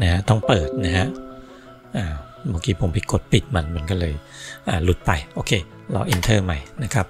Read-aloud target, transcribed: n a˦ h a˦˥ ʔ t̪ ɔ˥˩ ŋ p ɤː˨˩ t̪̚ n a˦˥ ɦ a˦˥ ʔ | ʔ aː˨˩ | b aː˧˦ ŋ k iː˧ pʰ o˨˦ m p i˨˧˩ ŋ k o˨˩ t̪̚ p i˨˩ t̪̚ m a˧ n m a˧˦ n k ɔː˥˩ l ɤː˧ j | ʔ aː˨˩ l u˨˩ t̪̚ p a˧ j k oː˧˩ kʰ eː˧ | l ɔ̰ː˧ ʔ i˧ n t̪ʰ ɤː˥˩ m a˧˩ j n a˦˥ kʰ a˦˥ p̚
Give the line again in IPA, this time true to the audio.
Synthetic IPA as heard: n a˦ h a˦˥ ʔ t̪ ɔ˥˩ ŋ p ɤː˨˩ t̪̚ n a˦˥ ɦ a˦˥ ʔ | ʔ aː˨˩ | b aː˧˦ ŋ k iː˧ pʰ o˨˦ m p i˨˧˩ k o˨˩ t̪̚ p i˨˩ t̪̚ m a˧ n m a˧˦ n k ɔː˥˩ l ɤː˧ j | ʔ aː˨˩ l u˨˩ t̪̚ p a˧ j ʔ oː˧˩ kʰ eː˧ | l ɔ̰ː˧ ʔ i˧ n t̪ʰ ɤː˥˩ m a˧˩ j n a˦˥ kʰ a˦˥ p̚

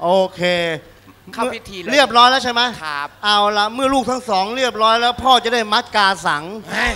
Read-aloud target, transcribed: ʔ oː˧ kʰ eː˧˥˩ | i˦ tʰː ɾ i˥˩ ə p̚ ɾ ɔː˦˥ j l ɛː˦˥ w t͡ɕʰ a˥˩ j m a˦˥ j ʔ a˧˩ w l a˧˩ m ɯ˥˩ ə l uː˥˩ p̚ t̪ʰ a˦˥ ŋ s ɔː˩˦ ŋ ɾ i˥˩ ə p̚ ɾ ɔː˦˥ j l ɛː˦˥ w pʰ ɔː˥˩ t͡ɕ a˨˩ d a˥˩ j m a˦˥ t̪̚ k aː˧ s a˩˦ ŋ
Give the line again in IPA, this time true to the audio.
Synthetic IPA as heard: ʔ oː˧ kʰ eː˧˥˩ | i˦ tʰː ɾ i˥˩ ə p̚ ɾ ɔː˦˥ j l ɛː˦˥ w t͡ɕʰ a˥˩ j m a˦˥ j ʔ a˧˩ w l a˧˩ m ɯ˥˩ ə l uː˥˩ k̚ t̪ʰ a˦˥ ŋ s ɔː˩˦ ŋ ɾ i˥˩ ə p̚ ɾ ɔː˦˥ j l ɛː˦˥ w pʰ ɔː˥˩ t͡ɕ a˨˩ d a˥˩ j m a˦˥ t̪̚ k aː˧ s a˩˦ ŋ

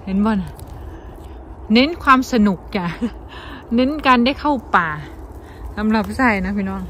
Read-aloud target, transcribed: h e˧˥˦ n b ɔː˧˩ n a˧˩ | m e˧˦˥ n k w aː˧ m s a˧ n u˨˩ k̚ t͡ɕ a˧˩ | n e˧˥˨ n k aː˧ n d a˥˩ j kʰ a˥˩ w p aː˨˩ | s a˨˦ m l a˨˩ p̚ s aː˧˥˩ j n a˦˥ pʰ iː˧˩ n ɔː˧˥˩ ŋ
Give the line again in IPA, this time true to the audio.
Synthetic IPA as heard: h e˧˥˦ n b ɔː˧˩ n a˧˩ | n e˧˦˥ n kʰ w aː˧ m s a˧ n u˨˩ k̚ t͡ɕ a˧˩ | n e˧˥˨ n k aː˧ n d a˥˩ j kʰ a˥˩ w p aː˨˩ | s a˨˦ m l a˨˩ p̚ s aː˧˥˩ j n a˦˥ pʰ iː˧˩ n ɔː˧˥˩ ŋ

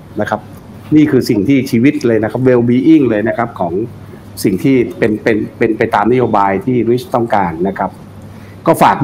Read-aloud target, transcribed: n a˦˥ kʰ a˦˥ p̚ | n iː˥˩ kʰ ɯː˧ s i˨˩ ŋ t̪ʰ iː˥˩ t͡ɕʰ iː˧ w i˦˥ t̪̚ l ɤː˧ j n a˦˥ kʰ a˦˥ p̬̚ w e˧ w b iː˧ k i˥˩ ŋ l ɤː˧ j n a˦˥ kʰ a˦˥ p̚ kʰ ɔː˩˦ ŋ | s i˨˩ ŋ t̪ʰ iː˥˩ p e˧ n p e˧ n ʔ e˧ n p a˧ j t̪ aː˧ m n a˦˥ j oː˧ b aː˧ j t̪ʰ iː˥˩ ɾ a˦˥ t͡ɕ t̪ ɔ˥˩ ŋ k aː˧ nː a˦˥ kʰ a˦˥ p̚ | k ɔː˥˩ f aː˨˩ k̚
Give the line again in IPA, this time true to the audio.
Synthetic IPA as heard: n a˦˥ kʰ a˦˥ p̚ | n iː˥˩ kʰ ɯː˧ s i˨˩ ŋ t̪ʰ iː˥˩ t͡ɕʰ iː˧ w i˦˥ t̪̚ l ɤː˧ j n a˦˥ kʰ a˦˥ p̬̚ w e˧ w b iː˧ ʔ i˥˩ ŋ l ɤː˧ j n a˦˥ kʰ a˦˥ p̚ kʰ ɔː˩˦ ŋ | s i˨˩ ŋ t̪ʰ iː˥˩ p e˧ n p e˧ n p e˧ n p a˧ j t̪ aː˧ m n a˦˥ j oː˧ b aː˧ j t̪ʰ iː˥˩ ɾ i˦˥ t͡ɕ t̪ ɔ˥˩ ŋ k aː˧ nː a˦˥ kʰ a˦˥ p̚ | k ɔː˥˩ f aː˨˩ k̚

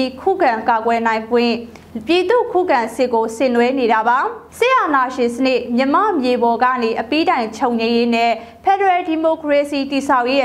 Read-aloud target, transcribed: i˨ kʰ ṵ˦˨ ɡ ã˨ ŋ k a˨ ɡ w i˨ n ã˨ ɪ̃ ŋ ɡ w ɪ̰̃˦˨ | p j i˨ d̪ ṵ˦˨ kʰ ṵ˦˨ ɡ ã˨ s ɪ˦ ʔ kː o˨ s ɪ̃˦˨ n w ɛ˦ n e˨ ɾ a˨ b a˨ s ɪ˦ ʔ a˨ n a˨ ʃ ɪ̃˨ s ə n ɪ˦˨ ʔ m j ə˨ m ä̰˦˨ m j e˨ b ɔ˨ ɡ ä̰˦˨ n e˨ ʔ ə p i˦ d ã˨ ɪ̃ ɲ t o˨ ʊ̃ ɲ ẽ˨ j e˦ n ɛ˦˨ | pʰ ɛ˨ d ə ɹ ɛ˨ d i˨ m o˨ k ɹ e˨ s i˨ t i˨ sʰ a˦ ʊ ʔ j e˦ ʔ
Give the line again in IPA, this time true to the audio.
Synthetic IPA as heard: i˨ kʰ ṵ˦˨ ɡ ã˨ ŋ k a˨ ɡ w ɛ˨ n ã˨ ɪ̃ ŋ ɡ w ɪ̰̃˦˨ | p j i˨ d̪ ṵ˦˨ kʰ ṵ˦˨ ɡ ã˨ s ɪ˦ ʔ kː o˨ s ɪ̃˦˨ n w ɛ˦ n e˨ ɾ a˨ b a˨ s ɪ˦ ʔ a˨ n a˨ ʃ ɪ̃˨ s ə n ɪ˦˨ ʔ m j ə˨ m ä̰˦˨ m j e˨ b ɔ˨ ɡ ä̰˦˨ n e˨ ʔ ə p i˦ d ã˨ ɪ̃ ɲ t͡ɕʰ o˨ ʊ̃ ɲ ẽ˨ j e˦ n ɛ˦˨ | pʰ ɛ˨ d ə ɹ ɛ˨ d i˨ m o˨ k ɹ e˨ s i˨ t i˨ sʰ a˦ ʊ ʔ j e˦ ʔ

